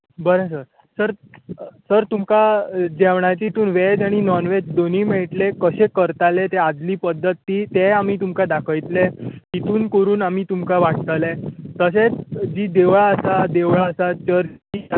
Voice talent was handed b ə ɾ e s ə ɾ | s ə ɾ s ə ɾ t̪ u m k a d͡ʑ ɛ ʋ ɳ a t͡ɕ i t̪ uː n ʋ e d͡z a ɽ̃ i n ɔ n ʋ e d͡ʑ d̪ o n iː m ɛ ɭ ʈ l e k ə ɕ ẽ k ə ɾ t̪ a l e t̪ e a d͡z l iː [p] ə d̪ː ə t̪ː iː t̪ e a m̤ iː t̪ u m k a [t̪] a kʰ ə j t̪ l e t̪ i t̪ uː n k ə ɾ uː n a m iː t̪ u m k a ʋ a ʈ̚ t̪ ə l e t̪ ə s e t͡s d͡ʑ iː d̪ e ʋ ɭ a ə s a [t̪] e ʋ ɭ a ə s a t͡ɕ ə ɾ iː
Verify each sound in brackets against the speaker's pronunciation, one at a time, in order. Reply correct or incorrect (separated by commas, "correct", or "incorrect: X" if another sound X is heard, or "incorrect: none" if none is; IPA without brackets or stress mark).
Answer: correct, incorrect: d̪, incorrect: d̪